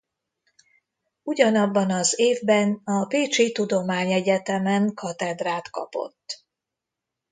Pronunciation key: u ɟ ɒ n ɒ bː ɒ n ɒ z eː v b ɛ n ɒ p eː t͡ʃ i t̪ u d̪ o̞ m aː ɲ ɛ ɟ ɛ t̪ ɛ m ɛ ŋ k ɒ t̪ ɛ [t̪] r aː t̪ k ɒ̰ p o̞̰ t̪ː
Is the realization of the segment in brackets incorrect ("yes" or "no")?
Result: yes